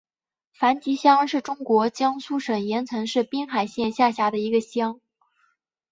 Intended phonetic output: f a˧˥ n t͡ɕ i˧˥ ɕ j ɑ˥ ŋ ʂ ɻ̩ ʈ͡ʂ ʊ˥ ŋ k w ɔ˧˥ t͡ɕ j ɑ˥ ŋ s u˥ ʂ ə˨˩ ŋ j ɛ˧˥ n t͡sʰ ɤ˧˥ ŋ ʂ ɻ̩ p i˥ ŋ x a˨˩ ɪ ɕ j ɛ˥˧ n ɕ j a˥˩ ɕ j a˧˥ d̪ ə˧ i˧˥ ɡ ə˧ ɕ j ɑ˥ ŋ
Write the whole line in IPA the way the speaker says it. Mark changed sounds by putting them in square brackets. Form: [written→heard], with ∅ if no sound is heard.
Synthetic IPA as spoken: f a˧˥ n t͡ɕ i˧˥ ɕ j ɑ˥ ŋ ʂ ɻ̩ ʈ͡ʂ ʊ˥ ŋ k w ɔ˧˥ t͡ɕ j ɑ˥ ŋ s u˥ ʂ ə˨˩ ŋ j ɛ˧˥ n t͡sʰ ɤ˧˥ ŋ ʂ ɻ̩ p i˥ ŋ x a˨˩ ɪ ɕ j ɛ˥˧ n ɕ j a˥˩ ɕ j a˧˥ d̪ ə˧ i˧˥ ɡ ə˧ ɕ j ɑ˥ ŋ